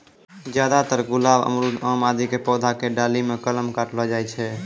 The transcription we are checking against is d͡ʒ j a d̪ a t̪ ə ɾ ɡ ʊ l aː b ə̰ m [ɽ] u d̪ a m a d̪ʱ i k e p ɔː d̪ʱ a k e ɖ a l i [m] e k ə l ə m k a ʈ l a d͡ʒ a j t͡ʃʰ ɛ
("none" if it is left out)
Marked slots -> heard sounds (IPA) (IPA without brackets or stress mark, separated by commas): ɾ, m